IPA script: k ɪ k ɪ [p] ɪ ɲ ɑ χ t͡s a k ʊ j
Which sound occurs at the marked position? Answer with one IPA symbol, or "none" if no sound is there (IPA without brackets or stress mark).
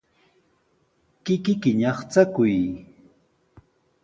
k